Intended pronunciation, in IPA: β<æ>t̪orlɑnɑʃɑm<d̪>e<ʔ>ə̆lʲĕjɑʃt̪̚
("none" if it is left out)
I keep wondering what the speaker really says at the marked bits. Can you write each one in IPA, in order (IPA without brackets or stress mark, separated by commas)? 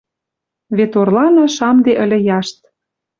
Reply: e, d̪, ʔ